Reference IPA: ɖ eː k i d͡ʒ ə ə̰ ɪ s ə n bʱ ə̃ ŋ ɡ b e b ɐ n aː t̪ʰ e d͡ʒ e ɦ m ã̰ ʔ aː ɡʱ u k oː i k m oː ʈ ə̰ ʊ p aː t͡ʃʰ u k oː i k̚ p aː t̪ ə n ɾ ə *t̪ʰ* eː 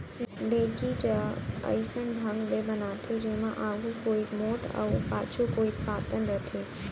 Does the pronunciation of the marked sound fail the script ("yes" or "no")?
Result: no